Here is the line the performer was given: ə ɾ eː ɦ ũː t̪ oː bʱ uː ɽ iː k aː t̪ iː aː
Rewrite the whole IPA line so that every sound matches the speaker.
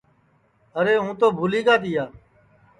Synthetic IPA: ə ɾ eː ɦ ũː t̪ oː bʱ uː l iː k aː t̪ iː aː